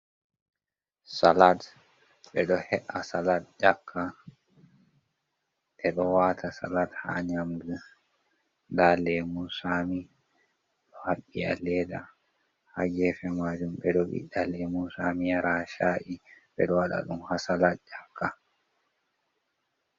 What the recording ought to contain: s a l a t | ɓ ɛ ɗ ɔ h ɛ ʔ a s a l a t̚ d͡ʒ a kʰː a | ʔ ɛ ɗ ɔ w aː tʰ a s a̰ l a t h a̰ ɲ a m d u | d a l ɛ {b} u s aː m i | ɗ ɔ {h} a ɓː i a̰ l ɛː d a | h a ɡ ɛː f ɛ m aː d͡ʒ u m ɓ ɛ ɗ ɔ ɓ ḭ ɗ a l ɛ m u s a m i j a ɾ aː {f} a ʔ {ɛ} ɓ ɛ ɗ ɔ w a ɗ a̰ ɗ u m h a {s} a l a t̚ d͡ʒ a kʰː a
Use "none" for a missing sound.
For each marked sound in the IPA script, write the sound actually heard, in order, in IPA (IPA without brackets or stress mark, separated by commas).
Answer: m, h, ʃ, i, s